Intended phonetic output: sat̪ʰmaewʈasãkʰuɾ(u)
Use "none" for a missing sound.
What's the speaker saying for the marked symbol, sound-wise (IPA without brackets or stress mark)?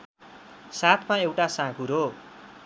o